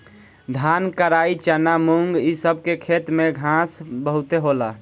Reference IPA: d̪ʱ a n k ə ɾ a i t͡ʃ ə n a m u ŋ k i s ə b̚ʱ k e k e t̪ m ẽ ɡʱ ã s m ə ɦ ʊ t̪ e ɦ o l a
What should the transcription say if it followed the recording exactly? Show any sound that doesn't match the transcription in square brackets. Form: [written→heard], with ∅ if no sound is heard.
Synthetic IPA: d̪ʱ a n k ə ɾ a i t͡ʃ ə n a m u ŋ [k→ɡ] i s ə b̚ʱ k e [k→kʰ] e t̪ m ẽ ɡʱ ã s [m→b] ə ɦ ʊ t̪ e ɦ o l a